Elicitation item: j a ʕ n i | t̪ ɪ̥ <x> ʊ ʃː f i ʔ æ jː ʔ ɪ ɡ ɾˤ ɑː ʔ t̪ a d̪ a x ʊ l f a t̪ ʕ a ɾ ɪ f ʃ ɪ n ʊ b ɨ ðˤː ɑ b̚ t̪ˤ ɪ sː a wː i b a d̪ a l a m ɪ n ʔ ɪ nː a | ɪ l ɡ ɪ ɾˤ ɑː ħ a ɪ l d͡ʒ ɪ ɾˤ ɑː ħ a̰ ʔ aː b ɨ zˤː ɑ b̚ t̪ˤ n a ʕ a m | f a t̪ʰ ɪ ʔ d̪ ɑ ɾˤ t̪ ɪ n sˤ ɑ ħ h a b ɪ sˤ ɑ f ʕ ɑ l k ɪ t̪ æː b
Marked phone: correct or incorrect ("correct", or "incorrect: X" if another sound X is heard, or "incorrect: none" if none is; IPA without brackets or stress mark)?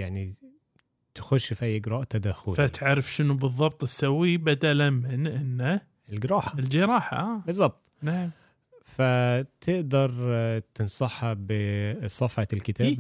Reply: correct